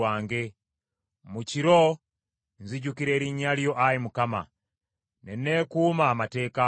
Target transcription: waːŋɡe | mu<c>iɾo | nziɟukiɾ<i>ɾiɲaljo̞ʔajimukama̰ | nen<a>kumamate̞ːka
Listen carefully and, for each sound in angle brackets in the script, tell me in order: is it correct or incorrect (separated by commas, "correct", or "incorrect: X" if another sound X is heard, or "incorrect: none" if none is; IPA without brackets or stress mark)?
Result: correct, incorrect: e, incorrect: e